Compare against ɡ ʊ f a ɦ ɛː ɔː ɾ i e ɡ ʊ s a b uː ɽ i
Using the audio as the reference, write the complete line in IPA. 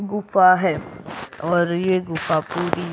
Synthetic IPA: ɡ ʊ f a ɦ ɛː ɔː ɾ j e ɡ ʊ f a p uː ɾ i